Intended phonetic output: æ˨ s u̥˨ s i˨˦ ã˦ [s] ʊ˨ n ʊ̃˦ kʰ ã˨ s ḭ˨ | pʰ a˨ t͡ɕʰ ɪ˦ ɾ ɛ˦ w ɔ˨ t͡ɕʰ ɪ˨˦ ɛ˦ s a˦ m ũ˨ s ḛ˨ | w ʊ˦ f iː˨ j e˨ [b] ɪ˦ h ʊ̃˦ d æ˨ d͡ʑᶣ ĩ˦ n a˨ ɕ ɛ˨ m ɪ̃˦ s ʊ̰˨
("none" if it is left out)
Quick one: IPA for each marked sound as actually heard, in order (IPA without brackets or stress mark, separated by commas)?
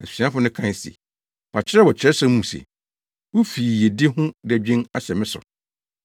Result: f, d